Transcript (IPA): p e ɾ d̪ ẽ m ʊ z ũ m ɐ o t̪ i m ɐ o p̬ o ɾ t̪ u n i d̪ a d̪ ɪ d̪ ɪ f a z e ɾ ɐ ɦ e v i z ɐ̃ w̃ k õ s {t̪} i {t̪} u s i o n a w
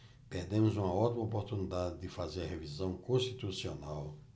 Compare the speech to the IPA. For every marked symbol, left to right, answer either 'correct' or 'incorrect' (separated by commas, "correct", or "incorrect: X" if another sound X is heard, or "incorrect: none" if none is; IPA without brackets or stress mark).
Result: correct, correct